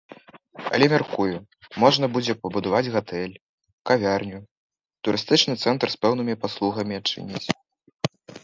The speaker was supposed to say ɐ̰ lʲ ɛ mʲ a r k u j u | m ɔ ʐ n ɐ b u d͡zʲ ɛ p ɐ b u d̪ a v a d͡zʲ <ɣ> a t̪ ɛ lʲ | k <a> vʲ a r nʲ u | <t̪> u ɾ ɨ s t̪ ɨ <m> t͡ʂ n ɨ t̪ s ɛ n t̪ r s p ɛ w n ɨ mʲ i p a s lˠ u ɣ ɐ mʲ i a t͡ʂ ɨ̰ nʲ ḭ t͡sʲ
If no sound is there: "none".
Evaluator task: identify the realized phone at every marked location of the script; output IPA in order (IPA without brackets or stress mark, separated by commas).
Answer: ɣ, a, t̪, none